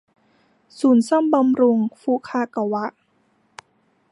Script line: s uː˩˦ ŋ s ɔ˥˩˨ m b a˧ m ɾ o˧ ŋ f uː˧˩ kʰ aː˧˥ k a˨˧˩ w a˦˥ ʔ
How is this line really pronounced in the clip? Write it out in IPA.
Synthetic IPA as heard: s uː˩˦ n s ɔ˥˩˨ m b a˧ m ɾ u˧ ŋ f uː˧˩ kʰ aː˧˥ k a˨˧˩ w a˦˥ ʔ